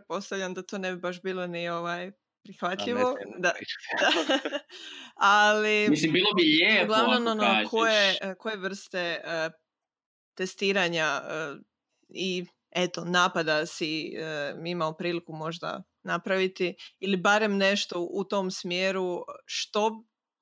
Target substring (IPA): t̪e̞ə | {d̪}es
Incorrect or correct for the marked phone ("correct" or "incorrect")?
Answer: incorrect